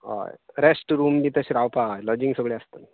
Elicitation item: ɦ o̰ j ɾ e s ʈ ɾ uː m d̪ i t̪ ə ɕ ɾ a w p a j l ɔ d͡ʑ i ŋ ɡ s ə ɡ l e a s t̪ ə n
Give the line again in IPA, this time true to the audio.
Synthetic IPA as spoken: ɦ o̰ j ɾ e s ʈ ɾ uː m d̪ i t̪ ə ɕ ɾ a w p a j l ɔ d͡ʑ i ŋ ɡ s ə ɡ ɭ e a s t̪ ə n